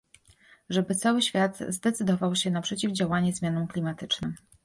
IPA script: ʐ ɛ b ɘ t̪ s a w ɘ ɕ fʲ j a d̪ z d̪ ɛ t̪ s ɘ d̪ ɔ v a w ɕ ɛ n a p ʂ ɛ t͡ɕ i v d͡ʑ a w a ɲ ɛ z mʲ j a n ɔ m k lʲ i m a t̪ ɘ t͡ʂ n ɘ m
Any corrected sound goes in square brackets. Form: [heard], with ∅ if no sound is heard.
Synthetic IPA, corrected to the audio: ʐ ɛ b ɘ t̪ s a w ɘ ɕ fʲ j a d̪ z d̪ ɛ t̪ s ɘ d̪ ɔ v a w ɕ ɛ n a p ʂ ɛ t͡ɕ i v d͡ʑ a w a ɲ ɛ z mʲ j a n ɔ m k lʲ i m a t̪ ɘ t͡ʂ n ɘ m